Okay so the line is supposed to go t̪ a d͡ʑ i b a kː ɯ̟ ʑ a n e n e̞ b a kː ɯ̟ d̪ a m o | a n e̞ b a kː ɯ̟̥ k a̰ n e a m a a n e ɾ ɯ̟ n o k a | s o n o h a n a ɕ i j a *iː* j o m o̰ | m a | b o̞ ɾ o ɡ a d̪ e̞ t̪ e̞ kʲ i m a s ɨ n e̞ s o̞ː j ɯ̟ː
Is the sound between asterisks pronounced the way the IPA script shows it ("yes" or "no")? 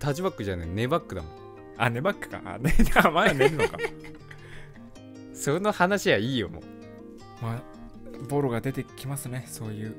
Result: yes